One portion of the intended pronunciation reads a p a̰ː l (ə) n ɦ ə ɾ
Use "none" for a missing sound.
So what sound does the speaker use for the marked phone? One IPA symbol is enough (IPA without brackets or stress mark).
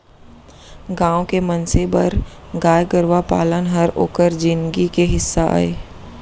ə